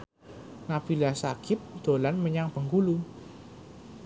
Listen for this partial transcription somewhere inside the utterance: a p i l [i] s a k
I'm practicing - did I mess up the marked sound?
yes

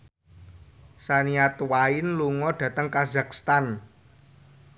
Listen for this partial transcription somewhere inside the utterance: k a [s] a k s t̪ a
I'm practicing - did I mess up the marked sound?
yes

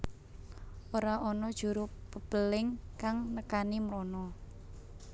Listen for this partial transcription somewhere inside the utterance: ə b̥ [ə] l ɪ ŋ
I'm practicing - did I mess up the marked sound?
no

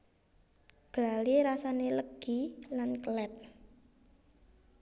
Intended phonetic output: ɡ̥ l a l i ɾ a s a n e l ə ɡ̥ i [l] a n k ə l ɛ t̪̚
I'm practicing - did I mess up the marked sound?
no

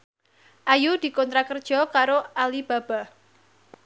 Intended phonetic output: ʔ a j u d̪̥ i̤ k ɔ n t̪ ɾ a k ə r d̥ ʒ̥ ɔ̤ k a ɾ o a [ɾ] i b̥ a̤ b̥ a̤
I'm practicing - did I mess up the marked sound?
yes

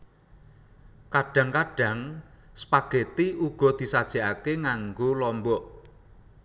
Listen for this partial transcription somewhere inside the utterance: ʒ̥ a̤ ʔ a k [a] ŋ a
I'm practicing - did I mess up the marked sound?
yes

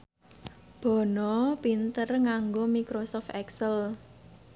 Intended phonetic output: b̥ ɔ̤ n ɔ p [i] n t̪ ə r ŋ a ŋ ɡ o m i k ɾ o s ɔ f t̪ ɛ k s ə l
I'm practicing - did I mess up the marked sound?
no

